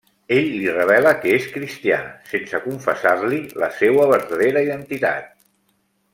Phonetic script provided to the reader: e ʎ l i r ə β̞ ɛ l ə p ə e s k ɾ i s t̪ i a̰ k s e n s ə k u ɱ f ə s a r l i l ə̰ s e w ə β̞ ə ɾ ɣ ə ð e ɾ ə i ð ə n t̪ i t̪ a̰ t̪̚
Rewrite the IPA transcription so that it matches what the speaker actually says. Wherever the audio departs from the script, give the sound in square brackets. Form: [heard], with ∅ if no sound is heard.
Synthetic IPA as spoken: e ʎ l i r ə β̞ ɛ l ə [k] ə e s k ɾ i s t̪ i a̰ [∅] s e n s ə k u ɱ f ə s a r l i l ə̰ s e w ə β̞ ə ɾ [ð] ə ð e ɾ ə i ð ə n t̪ i t̪ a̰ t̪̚